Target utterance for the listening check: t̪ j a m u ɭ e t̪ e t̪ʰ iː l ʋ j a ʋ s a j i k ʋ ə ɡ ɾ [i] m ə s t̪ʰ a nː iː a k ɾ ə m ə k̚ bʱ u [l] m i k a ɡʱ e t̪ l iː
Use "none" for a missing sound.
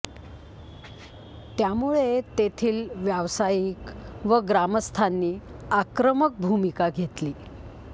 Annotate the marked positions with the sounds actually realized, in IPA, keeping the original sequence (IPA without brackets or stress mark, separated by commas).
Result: a, none